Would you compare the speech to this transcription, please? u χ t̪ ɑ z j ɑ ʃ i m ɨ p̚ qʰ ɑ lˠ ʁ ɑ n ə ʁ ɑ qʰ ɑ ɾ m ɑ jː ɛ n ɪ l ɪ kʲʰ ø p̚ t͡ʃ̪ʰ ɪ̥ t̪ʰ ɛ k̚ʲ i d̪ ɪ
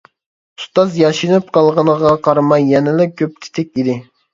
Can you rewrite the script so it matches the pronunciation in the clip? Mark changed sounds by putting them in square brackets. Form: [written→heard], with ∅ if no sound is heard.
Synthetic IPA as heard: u [χ→s] t̪ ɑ z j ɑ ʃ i [m→n] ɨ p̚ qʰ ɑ lˠ ʁ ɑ n ə ʁ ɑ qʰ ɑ ɾ m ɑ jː ɛ n ɪ l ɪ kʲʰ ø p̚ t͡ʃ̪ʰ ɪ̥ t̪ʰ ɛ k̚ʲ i d̪ ɪ